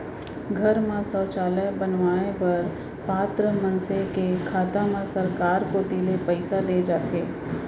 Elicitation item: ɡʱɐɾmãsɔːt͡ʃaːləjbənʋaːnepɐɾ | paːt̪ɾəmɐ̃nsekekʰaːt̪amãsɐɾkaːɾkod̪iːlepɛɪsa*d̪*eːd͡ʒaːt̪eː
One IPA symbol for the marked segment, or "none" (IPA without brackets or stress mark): d̪